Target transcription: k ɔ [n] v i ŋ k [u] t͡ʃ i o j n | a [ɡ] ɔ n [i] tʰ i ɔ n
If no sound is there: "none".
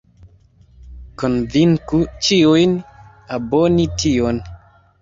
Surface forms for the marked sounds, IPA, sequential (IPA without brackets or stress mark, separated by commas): n, u, b, i